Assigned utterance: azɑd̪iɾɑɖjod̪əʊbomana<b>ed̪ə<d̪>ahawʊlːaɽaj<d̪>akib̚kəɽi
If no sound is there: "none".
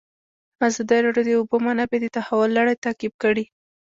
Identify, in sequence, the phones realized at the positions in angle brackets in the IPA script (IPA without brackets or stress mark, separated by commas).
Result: b, t̪, t̪